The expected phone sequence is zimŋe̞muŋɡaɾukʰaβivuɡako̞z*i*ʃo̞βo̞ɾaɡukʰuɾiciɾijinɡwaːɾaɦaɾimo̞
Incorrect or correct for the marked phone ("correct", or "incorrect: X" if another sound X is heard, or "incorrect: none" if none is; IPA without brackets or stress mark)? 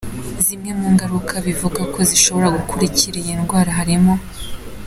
correct